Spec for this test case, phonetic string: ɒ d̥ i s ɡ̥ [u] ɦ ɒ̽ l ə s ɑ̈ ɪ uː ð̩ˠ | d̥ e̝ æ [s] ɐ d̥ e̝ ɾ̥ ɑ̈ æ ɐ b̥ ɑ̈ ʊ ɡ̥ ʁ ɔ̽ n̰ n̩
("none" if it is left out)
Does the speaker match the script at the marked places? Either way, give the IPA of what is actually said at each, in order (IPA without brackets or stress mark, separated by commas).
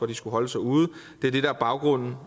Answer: u, none